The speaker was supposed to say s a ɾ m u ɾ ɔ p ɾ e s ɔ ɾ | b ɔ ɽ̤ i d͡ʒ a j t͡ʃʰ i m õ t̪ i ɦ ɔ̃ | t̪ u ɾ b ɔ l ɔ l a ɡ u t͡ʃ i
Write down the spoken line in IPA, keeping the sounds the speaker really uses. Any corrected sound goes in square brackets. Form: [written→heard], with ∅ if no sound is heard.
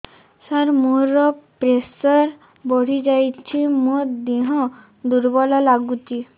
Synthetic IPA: s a ɾ m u ɾ ɔ p ɾ e s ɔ ɾ | b ɔ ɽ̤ i d͡ʒ a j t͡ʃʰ i m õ [t̪→d̪] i ɦ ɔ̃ | [t̪→d̪] u ɾ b ɔ l ɔ l a ɡ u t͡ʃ i